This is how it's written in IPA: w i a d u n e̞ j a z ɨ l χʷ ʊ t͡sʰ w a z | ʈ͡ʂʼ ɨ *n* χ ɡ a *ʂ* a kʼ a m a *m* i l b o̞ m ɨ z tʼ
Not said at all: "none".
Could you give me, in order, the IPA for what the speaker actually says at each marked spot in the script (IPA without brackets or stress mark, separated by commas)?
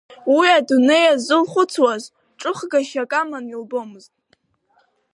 none, ʃ, n